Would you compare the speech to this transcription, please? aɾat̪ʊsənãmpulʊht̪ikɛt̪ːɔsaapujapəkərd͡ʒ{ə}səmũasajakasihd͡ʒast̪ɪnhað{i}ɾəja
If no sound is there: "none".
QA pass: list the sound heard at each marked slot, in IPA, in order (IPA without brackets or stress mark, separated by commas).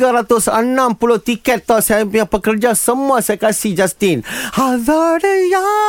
a, a